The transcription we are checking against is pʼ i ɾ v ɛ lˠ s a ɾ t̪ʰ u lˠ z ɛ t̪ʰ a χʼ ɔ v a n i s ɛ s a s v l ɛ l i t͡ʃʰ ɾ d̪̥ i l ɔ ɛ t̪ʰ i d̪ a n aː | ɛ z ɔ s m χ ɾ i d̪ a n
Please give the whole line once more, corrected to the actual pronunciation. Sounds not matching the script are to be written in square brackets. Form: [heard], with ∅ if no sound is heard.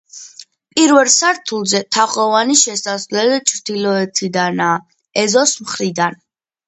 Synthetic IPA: pʼ i ɾ v ɛ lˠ s a ɾ t̪ʰ u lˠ z ɛ t̪ʰ a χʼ ɔ v a n i [ʃ] ɛ s a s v l ɛ l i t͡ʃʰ ɾ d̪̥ i l ɔ ɛ t̪ʰ i d̪ a n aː | ɛ z ɔ s m χ ɾ i d̪ a n